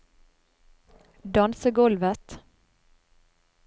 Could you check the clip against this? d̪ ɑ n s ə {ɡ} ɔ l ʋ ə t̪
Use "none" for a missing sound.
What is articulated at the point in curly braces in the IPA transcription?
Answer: ɡ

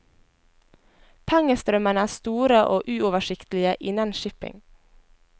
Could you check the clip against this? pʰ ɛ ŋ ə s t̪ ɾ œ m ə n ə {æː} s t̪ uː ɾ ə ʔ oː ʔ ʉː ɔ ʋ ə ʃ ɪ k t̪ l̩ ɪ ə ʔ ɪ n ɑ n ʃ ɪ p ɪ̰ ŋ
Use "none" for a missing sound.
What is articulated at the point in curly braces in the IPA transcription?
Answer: æː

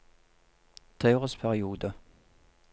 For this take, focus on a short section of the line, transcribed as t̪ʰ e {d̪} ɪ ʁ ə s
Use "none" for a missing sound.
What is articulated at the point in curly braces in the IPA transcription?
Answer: none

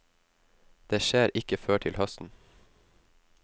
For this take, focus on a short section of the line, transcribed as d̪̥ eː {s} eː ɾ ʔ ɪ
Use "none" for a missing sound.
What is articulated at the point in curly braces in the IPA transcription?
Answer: ʃ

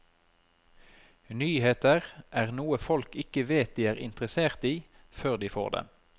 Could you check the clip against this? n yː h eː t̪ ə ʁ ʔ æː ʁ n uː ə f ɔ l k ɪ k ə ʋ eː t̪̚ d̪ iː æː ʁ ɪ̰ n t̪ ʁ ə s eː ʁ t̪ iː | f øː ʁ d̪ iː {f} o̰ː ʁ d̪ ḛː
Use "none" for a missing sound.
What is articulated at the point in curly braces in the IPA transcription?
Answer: f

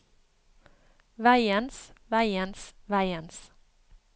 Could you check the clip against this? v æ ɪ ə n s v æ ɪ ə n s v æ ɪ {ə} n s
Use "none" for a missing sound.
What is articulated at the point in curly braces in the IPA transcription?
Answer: ə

